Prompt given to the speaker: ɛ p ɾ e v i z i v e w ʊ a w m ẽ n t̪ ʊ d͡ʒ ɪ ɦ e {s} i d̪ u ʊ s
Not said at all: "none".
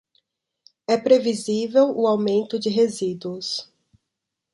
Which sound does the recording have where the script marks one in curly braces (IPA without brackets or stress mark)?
z